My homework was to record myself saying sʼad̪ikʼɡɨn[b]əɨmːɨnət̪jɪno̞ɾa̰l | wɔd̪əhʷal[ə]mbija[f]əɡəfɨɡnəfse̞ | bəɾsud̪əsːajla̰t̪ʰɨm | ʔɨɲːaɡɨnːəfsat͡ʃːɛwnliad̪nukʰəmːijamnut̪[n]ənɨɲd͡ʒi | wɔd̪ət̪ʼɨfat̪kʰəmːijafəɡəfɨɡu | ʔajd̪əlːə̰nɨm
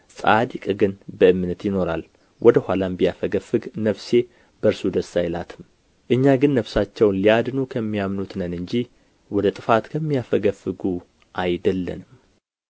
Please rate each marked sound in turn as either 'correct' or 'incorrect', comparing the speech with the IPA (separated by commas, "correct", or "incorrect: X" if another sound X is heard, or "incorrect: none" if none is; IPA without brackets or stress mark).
correct, incorrect: a, correct, correct